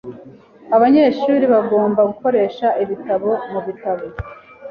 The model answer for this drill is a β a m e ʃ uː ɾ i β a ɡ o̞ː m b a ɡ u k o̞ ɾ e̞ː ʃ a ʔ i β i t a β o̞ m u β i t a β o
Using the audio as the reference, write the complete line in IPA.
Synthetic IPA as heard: a β a ɲ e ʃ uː ɾ i β a ɡ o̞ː m b a ɡ u k o̞ ɾ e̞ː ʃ a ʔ i β i t a β o̞ m u β i t a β o